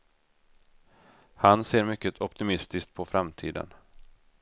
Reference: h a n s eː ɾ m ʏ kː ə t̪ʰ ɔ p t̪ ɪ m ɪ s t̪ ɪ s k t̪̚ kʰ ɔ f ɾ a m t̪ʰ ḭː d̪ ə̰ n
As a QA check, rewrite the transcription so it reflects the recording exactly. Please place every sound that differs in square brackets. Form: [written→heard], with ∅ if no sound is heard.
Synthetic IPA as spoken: h a n s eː ɾ m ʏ kː ə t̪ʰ ɔ p t̪ ɪ m ɪ s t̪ ɪ s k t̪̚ [kʰ→pʰ] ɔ f ɾ a m t̪ʰ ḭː d̪ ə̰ n